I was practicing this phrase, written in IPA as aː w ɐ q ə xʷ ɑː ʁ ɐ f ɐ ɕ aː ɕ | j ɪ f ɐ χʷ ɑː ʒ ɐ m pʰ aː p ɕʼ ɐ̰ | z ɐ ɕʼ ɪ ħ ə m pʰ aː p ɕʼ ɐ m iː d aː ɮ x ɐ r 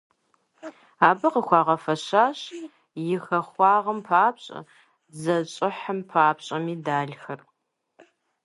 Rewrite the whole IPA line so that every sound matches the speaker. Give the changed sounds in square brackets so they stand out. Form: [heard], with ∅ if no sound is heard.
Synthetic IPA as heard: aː [b] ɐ q ə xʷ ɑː ʁ ɐ f ɐ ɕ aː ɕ | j ɪ [x] ɐ χʷ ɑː [ʁ] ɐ m pʰ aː p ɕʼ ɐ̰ | z ɐ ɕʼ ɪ ħ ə m pʰ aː p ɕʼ ɐ m iː d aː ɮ x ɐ r